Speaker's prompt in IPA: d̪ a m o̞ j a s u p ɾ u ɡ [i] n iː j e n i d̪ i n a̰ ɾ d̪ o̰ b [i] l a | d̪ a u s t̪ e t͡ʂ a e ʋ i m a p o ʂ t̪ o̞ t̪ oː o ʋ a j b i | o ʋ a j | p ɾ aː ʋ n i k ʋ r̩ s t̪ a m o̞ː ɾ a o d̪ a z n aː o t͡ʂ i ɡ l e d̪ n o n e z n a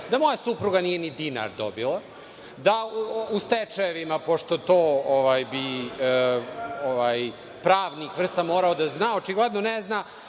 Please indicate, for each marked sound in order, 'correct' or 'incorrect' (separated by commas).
incorrect, correct